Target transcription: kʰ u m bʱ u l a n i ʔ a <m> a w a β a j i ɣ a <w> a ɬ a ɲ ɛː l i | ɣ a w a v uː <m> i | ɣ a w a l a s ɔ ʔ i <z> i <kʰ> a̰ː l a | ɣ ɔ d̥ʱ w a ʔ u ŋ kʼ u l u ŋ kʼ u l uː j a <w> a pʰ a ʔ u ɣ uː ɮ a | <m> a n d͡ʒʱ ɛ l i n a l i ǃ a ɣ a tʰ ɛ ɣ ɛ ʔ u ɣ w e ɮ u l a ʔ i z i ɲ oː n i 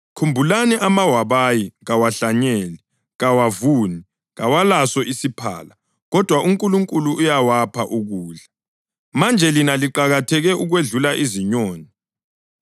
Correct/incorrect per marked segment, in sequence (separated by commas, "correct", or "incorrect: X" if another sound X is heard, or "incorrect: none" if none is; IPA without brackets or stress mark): correct, correct, incorrect: n, incorrect: s, incorrect: pʰ, correct, correct